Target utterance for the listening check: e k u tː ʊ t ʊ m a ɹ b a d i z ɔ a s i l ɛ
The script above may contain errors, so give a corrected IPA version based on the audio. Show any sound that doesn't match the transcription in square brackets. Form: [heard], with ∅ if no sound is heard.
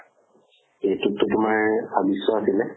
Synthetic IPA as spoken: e [t] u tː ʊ t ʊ m a ɹ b a [b] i [s] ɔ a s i l ɛ